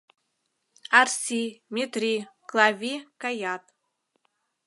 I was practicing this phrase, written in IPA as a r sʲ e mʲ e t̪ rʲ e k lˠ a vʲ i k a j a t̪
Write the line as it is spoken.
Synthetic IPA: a r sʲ i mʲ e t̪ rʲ i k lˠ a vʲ i k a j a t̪